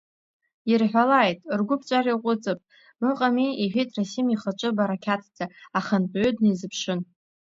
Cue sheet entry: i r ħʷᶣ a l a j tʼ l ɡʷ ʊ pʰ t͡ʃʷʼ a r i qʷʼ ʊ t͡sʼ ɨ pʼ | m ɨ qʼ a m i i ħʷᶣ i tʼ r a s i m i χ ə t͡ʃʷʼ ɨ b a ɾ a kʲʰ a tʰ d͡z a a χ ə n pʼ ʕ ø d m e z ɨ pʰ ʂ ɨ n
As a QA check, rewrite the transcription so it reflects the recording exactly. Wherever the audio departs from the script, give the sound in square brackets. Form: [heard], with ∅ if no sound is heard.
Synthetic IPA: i r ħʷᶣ a l a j tʼ [r] ɡʷ ʊ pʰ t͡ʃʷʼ a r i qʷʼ ʊ t͡sʼ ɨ pʼ | m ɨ qʼ a m i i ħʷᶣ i tʼ r a s i m i χ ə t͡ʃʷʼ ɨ b a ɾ a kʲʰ a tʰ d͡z a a χ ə n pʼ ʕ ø d [n] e z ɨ pʰ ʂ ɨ n